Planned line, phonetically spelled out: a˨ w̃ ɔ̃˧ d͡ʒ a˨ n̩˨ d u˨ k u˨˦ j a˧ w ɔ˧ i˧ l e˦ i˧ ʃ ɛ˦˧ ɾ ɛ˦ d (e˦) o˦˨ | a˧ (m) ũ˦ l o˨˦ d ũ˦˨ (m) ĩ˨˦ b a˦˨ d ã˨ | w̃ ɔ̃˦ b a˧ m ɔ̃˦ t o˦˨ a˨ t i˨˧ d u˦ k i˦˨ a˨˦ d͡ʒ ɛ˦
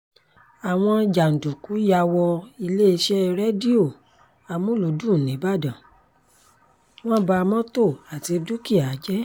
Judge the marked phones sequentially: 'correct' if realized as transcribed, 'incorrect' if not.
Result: incorrect, correct, incorrect

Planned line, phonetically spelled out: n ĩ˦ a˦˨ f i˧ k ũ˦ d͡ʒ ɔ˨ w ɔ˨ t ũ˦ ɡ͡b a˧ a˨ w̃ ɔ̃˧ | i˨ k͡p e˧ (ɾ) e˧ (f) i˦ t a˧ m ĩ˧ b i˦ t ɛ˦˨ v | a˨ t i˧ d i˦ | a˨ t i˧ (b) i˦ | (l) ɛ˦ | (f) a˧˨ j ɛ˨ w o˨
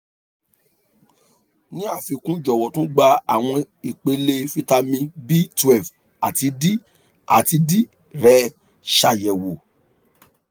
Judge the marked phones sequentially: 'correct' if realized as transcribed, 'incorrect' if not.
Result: incorrect, correct, incorrect, incorrect, incorrect

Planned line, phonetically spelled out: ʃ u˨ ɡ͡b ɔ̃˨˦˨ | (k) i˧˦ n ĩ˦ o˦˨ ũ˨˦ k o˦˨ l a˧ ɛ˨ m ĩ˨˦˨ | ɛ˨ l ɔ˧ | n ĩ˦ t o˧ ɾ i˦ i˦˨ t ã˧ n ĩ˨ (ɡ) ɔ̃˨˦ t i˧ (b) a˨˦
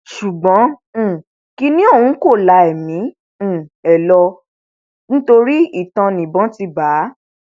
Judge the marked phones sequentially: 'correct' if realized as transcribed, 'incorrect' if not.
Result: correct, incorrect, correct

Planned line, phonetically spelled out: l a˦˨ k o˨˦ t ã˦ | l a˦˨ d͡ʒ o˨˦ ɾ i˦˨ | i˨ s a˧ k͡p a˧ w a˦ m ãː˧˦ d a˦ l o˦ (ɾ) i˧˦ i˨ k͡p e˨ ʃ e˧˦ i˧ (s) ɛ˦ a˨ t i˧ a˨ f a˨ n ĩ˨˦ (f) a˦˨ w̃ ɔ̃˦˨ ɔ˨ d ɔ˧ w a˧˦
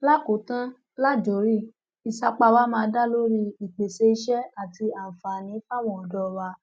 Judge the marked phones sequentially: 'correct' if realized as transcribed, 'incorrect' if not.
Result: correct, incorrect, correct

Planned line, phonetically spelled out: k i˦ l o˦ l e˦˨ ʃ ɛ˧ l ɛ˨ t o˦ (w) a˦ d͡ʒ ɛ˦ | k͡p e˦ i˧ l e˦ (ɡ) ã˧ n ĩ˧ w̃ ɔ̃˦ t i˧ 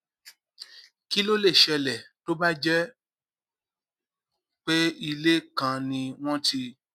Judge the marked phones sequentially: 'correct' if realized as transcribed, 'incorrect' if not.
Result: incorrect, incorrect

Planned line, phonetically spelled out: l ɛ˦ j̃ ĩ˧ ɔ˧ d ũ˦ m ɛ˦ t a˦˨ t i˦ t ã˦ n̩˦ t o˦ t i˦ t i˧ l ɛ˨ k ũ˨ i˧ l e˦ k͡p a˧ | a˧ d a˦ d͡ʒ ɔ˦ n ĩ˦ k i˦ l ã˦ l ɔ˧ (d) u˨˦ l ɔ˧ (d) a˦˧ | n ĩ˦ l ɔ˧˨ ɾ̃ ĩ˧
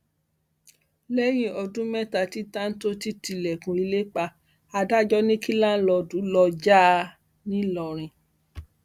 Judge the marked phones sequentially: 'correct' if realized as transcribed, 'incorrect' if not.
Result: correct, incorrect

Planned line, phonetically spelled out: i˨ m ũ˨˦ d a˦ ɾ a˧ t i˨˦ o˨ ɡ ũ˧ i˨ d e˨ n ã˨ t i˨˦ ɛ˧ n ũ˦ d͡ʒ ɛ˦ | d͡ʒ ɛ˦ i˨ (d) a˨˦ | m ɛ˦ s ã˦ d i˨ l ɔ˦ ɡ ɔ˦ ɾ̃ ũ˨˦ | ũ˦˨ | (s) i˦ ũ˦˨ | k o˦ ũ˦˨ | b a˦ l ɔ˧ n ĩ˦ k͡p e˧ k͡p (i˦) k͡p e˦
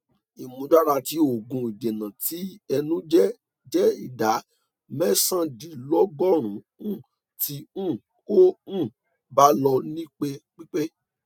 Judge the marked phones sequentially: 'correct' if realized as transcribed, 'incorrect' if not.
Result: correct, incorrect, correct

